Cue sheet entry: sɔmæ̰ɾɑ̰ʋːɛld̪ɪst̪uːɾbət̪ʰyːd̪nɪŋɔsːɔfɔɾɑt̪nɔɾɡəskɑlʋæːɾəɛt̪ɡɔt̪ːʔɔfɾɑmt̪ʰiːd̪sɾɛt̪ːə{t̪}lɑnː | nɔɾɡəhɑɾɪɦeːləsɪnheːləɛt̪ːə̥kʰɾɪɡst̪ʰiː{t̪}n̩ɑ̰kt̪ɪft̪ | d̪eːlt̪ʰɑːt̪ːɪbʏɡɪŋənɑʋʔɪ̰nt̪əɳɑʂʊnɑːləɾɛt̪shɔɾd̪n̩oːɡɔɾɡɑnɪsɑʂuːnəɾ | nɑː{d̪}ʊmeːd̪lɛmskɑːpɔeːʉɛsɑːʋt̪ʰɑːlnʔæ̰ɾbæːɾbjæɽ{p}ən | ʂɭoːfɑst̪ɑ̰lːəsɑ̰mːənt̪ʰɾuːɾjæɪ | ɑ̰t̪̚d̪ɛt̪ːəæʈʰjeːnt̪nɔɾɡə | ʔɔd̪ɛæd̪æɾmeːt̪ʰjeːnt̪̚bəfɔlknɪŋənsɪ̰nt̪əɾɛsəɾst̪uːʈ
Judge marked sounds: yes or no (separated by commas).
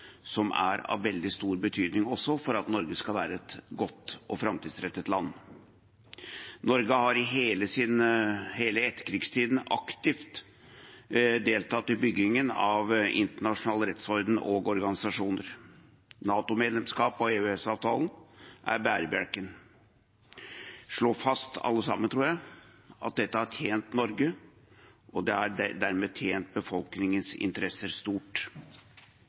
yes, no, no, no